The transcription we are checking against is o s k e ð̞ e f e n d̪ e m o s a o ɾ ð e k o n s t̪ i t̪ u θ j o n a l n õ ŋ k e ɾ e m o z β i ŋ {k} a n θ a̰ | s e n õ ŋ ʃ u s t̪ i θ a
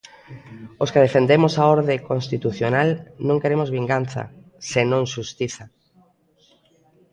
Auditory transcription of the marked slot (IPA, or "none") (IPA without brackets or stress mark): ɡ